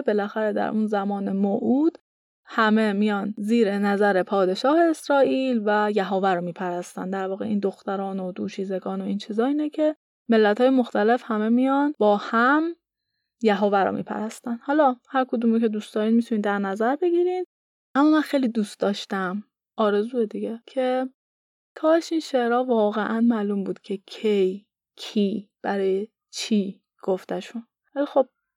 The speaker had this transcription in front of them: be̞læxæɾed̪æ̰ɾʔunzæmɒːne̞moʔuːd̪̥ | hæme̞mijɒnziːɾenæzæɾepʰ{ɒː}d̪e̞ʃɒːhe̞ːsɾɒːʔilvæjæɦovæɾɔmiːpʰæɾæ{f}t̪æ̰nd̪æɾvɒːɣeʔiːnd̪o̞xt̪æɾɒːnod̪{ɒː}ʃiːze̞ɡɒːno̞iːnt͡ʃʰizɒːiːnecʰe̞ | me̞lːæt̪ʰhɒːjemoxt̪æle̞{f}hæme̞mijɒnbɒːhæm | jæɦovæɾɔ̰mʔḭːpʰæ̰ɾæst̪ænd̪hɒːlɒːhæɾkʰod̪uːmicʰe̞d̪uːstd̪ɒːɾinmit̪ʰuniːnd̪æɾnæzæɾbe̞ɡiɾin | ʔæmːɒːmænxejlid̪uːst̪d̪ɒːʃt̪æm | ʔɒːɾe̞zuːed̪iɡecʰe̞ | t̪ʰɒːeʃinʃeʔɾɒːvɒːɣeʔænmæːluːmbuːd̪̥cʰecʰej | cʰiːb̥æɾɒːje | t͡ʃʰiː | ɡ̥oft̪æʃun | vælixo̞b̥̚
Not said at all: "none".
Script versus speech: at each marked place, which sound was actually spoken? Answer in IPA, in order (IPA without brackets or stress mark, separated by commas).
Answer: ɒː, s, uː, f